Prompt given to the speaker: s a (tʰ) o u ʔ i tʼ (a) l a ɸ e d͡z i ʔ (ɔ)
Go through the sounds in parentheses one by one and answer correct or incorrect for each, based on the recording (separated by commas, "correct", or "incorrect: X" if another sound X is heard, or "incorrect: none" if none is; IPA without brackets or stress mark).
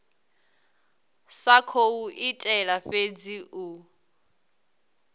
incorrect: kʰ, incorrect: ɛ, incorrect: u